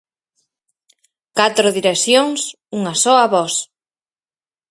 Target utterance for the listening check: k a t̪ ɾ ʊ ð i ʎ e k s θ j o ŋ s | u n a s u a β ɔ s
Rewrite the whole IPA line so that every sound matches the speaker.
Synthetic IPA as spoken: k a t̪ ɾ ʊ ð i ɾ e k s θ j o ŋ s | u ŋ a s ɔ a β ɔ s